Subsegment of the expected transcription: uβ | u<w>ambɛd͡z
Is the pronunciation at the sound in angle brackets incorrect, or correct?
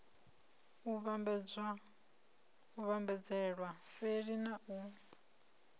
incorrect